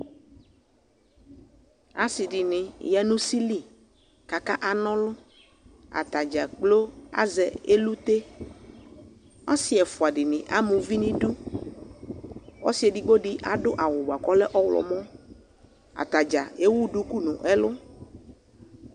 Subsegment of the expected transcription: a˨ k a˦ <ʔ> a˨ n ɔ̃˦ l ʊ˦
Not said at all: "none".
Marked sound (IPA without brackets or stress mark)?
ʔ